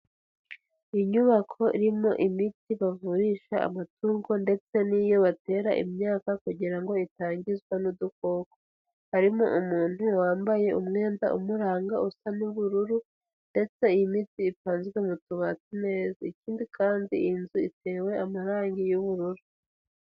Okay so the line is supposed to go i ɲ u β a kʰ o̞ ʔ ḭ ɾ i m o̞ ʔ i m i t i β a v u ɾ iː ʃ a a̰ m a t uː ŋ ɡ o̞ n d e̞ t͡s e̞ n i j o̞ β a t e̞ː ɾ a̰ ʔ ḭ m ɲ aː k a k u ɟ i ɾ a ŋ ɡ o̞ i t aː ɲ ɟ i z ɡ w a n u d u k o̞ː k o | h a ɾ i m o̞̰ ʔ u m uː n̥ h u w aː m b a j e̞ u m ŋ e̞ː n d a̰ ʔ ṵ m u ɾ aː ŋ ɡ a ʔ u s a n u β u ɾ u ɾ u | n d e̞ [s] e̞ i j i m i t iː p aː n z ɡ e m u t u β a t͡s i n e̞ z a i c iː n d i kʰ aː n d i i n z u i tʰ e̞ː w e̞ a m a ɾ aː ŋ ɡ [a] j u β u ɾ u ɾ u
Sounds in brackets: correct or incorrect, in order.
incorrect: t͡s, incorrect: i

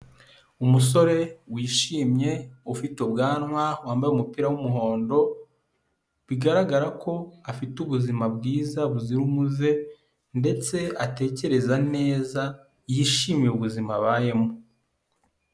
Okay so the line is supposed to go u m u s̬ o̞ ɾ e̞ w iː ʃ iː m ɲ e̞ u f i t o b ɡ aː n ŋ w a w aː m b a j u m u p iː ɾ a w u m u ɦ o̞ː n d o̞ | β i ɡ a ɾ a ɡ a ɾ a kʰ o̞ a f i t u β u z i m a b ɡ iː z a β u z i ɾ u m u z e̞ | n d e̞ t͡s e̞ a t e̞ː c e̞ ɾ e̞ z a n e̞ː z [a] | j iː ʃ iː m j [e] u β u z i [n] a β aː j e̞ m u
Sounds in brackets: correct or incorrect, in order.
correct, correct, incorrect: m

